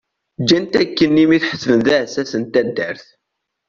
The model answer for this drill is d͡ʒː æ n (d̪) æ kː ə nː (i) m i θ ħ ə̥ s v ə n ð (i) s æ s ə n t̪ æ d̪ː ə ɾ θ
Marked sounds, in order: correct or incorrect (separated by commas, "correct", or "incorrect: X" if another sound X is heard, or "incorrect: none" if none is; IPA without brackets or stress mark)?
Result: incorrect: t̪, correct, incorrect: æ